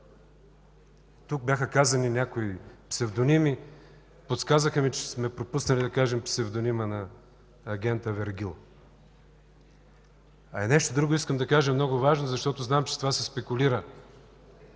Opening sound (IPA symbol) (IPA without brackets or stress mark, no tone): t̪